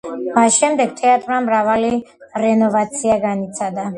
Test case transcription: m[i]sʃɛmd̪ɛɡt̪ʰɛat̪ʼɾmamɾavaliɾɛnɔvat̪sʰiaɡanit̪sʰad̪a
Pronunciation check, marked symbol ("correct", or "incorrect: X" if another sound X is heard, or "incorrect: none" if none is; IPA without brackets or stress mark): incorrect: a